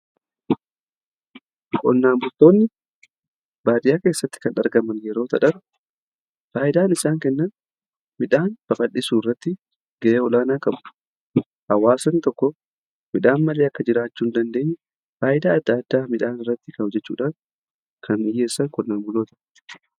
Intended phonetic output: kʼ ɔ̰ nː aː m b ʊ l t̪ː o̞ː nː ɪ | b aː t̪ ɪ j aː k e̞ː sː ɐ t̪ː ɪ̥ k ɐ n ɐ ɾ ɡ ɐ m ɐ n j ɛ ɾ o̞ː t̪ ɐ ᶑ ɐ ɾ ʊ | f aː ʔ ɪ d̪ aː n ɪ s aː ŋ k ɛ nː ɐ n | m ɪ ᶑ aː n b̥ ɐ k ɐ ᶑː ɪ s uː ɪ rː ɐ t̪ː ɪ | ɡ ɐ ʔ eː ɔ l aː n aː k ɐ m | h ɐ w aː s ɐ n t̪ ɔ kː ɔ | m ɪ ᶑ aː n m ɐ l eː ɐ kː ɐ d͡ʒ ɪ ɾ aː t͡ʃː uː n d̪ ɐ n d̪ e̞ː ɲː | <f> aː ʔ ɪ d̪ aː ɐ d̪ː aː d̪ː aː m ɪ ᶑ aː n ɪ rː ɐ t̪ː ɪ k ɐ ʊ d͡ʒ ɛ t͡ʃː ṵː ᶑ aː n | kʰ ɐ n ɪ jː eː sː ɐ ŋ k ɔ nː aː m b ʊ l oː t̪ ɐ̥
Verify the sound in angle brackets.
correct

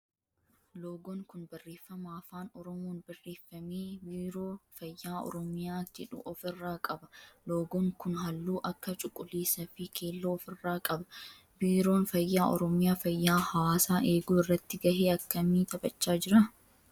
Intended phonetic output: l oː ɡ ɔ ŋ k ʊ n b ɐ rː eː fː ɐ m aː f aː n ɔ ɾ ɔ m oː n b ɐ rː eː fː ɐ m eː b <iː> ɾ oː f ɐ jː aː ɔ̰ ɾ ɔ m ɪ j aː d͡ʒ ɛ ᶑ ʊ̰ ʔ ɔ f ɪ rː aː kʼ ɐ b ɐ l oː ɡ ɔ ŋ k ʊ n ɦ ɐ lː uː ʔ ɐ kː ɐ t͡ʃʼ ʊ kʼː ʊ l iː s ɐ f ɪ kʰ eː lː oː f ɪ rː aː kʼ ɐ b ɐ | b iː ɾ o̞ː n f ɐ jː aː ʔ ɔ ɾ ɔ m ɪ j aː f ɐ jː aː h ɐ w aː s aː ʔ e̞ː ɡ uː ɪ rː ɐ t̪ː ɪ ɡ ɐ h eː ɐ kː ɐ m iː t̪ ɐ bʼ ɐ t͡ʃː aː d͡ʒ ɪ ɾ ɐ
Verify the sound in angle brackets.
correct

